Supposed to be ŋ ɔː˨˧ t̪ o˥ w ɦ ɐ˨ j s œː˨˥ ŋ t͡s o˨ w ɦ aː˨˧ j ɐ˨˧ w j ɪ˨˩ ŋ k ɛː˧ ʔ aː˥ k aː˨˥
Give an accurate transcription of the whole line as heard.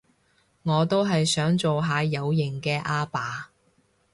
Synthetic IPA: ŋ ɔː˨˧ t̪ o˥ w ɦ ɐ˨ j s œː˨˥ ŋ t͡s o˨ w ɦ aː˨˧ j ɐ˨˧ w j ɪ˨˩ ŋ k ɛː˧ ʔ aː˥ p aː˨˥